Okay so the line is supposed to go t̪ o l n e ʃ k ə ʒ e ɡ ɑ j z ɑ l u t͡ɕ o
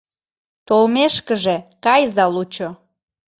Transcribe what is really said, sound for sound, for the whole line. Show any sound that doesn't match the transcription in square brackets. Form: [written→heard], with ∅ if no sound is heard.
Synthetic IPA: t̪ o l [n→m] e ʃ k ə ʒ e [ɡ→k] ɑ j z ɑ l u t͡ɕ o